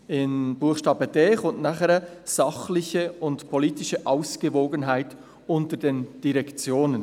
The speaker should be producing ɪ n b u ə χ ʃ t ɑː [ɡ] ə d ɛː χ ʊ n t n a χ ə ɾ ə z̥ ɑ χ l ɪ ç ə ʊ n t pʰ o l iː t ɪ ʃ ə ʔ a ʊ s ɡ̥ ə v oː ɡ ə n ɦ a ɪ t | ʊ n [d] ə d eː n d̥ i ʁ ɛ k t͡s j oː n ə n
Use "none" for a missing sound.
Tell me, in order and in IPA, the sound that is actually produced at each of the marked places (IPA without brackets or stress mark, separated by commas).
b, t